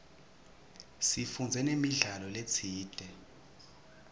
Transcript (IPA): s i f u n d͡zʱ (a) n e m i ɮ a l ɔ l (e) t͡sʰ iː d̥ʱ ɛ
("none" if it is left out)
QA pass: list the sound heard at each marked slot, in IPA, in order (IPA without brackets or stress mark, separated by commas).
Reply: ɛ, e